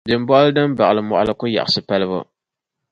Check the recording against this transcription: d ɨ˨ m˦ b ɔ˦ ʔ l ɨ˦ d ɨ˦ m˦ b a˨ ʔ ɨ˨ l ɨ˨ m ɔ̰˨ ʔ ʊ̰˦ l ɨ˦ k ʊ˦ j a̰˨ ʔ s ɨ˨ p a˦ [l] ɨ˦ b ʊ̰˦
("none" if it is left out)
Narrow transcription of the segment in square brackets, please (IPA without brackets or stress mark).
l